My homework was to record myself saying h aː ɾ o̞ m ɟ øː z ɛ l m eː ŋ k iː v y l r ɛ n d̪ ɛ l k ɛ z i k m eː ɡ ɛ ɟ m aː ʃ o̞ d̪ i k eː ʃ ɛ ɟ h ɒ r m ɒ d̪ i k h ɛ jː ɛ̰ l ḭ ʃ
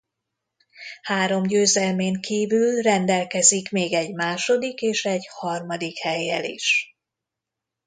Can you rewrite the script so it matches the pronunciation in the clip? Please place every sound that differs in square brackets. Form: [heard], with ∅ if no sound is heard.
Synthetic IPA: h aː ɾ o̞ m ɟ øː z ɛ l m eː ŋ k iː v y l r ɛ n d̪ ɛ l k ɛ z i k m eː ɡ ɛ ɟ m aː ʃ o̞ d̪ i k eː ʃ ɛ ɟ h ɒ r m ɒ d̪ i k h ɛ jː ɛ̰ l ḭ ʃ